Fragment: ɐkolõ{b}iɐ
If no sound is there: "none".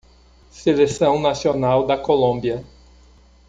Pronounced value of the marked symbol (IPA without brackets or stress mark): b